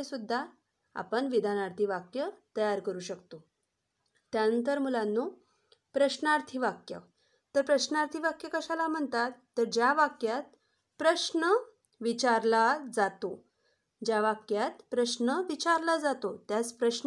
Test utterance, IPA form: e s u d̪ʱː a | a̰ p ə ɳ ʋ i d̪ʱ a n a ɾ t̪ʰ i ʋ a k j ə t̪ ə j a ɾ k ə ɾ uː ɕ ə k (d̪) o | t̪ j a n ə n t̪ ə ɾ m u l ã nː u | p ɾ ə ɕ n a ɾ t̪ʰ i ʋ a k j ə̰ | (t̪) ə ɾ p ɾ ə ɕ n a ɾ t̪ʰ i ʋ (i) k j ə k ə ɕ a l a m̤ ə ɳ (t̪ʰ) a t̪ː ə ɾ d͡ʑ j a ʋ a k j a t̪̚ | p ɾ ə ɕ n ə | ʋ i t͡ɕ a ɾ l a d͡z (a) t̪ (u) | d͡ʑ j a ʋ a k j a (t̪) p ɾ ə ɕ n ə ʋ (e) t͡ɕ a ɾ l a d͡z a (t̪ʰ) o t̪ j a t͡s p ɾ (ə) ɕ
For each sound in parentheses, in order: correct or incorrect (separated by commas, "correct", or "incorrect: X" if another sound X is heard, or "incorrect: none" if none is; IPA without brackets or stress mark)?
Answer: incorrect: t̪, correct, incorrect: a, incorrect: t̪, correct, incorrect: o, correct, incorrect: i, incorrect: t̪, correct